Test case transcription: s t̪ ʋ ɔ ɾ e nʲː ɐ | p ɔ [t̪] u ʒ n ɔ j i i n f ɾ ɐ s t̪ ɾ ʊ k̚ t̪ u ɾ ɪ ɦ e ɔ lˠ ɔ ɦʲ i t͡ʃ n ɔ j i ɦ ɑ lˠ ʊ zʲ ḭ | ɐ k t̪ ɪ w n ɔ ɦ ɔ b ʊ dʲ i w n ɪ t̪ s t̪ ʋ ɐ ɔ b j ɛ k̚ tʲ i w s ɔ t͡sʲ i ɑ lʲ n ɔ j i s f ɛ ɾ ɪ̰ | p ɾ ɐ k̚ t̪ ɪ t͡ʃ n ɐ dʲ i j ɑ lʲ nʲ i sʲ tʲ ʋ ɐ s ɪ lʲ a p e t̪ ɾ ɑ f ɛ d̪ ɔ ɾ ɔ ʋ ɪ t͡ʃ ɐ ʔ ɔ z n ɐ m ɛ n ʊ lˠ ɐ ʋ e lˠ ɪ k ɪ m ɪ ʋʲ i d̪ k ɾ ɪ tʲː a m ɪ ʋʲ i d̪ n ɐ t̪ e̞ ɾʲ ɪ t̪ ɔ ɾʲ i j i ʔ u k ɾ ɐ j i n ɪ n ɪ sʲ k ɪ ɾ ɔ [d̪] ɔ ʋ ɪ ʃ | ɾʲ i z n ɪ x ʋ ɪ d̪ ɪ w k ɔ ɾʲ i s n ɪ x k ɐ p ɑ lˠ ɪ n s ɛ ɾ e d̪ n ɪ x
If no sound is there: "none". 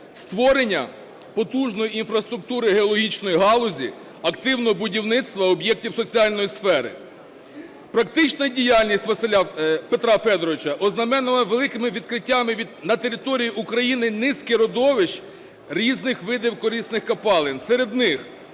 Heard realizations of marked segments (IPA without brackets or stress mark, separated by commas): t̪, d̪